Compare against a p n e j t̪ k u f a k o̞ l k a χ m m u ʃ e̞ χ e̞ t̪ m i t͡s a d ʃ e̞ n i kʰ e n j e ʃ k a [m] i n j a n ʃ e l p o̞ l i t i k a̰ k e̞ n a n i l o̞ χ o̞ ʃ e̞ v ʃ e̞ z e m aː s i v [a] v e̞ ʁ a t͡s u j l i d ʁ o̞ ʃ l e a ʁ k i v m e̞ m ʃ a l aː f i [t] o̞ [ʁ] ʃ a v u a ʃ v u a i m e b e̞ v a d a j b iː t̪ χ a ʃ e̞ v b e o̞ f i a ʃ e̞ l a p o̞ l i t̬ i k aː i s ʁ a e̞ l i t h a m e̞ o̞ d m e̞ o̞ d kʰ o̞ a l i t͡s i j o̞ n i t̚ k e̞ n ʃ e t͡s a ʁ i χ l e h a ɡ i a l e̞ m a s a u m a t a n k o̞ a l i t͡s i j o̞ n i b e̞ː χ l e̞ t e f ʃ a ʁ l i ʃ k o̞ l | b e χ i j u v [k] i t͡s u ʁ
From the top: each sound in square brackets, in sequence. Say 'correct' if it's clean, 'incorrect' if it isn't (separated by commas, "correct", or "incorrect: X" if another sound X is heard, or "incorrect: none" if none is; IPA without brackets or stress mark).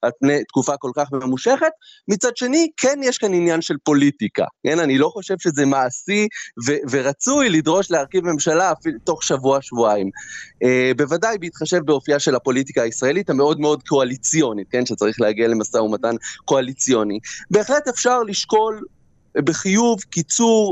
incorrect: n, incorrect: e, correct, incorrect: χ, correct